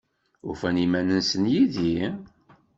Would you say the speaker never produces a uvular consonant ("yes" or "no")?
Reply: yes